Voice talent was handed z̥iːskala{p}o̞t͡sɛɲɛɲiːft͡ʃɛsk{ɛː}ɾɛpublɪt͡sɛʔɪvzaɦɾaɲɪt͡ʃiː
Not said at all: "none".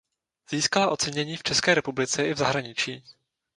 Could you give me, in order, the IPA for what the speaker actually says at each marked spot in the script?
ʔ, ɛː

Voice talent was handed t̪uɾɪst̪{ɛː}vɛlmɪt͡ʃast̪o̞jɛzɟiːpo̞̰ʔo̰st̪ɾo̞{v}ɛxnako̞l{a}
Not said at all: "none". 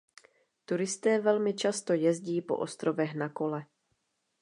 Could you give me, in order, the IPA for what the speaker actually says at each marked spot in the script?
ɛː, v, ɛ

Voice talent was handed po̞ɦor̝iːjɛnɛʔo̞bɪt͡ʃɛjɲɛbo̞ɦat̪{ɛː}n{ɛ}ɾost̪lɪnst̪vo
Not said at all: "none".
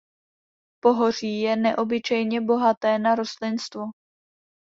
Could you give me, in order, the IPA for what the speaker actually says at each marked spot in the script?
ɛː, a

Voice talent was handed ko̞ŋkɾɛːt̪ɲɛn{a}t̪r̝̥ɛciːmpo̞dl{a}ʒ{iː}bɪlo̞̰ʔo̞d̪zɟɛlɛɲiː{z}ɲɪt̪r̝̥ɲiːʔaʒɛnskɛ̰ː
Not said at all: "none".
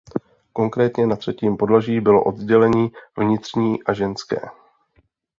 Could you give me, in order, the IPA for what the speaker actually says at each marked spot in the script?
a, a, iː, v

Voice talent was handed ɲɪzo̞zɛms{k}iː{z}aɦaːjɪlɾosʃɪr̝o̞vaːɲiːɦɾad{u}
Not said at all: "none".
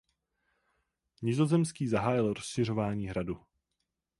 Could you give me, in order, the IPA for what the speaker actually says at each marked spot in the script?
k, z, u

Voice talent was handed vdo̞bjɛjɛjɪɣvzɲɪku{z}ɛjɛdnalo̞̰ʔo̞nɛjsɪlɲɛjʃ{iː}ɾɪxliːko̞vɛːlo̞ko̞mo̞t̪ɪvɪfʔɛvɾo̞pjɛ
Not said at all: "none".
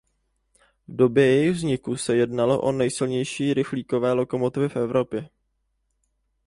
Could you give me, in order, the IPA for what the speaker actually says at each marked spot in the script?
s, iː

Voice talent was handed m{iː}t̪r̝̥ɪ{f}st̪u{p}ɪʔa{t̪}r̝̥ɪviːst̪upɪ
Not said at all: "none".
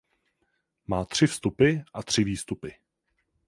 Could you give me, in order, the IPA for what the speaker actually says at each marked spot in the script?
aː, f, p, t̪

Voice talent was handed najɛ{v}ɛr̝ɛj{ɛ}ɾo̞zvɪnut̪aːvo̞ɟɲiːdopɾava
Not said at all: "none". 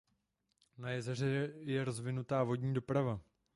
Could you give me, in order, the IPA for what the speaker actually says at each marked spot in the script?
z, ɛ

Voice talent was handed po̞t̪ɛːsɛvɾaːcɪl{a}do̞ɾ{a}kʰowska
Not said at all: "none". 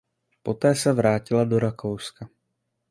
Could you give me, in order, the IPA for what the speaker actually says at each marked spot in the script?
a, a

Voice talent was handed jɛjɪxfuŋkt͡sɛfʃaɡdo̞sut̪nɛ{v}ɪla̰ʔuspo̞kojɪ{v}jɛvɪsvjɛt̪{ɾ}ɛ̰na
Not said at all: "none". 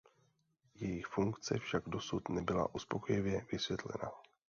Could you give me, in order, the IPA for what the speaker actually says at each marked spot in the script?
b, v, l

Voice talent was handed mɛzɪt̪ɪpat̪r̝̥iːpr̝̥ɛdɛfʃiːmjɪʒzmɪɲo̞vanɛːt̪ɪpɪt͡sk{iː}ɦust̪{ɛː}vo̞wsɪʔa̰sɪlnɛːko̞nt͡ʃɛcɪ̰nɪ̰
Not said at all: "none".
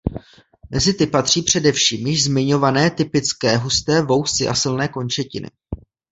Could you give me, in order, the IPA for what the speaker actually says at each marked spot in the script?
ɛː, ɛː

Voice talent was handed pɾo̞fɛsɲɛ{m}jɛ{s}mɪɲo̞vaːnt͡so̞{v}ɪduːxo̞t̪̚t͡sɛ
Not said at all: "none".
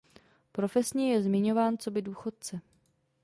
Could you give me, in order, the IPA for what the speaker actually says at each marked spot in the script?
none, z, b

